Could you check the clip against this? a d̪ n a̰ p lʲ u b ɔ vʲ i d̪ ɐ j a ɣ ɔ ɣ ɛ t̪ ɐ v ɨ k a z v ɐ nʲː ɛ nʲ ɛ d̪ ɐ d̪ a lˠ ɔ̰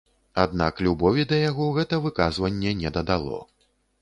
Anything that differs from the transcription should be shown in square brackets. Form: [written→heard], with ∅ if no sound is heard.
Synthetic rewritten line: a d̪ n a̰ [p→k] lʲ u b ɔ vʲ i d̪ ɐ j a ɣ ɔ ɣ ɛ t̪ ɐ v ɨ k a z v ɐ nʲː ɛ nʲ ɛ d̪ ɐ d̪ a lˠ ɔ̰